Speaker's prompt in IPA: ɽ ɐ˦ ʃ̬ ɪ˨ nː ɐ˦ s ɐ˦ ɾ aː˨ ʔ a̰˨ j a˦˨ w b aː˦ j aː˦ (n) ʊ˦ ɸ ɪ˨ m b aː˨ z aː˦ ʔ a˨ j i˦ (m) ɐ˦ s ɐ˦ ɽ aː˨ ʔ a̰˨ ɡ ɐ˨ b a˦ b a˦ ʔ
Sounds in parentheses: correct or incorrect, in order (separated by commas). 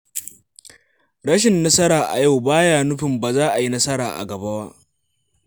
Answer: correct, incorrect